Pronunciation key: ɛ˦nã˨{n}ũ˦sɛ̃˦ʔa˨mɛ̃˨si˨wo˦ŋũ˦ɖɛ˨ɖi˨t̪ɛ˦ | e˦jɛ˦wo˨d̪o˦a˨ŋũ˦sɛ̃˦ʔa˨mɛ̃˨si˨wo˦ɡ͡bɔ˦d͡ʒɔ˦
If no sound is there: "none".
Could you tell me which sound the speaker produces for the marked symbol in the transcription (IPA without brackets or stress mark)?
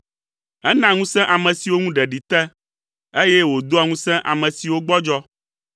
ŋ